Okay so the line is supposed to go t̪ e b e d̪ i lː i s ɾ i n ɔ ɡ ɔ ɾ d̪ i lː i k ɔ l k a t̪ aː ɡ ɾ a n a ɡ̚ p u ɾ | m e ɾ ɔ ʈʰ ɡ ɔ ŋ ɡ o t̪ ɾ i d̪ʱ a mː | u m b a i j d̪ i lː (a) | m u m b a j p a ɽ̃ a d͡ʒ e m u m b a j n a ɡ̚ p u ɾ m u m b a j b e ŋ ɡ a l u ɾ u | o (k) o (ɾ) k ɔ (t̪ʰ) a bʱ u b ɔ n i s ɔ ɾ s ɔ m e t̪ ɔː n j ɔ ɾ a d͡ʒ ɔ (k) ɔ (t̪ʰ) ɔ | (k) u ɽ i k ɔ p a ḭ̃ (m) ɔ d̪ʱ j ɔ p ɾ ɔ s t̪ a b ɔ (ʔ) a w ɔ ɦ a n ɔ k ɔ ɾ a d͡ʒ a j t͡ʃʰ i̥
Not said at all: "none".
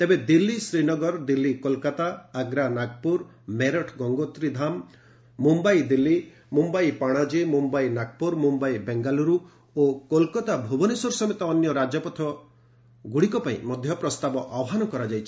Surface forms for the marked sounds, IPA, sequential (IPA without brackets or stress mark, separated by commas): i, k, l, t̪, p, t̪ʰ, ɡ, m, ʔ